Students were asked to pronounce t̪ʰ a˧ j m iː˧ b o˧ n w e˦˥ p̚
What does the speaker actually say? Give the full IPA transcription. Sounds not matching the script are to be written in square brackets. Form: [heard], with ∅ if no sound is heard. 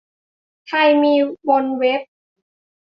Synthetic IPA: t̪ʰ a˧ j m iː˧ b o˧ n w e˦˥ p̚

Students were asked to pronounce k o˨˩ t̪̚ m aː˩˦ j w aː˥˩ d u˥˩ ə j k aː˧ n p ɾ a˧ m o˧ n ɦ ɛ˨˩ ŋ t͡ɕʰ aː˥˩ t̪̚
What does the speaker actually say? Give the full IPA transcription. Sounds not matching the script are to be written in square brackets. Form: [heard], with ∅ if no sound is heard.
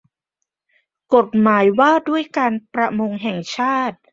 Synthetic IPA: k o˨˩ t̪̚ m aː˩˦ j w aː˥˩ d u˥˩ ə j k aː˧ n p ɾ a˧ m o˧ [ŋ] ɦ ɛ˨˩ ŋ t͡ɕʰ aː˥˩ t̪̚

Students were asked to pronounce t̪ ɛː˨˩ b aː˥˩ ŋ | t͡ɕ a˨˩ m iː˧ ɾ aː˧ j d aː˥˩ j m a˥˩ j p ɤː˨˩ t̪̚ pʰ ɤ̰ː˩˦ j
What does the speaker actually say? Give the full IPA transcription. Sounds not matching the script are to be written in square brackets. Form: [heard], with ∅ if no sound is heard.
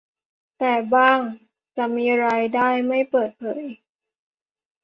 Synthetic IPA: t̪ ɛː˨˩ b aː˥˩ ŋ | t͡ɕ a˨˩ m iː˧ ɾ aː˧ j d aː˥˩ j m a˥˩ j p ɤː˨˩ t̪̚ pʰ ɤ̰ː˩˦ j

